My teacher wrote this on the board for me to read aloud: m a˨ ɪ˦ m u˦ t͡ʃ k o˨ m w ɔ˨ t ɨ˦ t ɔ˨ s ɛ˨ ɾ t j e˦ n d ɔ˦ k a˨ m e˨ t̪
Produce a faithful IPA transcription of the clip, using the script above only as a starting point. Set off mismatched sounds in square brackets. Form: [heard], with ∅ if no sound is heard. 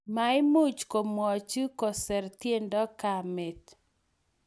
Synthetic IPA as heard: m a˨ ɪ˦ m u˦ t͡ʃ k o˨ m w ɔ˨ [t͡ʃ] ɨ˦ [k] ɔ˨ s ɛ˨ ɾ t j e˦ n d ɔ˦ k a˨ m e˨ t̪